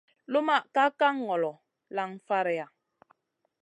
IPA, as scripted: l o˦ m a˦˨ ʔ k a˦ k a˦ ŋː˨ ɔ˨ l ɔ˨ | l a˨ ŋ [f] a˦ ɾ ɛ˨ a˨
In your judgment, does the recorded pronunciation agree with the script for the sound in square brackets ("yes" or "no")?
yes